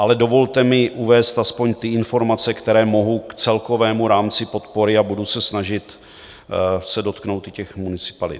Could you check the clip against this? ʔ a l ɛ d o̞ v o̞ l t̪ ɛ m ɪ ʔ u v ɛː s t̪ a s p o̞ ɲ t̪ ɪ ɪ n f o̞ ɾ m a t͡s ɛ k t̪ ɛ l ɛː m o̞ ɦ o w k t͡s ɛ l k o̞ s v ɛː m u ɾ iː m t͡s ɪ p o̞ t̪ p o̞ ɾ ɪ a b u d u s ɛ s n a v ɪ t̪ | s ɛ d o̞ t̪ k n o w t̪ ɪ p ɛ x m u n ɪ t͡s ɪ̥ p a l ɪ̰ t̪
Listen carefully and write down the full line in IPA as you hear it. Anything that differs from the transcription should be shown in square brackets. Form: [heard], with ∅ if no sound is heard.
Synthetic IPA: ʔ a l ɛ d o̞ v o̞ l t̪ ɛ m ɪ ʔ u v ɛː s t̪ a s p o̞ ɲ t̪ ɪ ɪ n f o̞ ɾ m a t͡s ɛ k t̪ ɛ [ɾ] ɛː m o̞ ɦ o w k t͡s ɛ l k o̞ [∅] v ɛː m u ɾ [aː] m t͡s ɪ p o̞ t̪ p o̞ ɾ ɪ a b u d u s ɛ s n a [ʒ] ɪ t̪ | s ɛ d o̞ t̪ k n o w t̪ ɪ [c] ɛ x m u n ɪ t͡s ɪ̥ p a l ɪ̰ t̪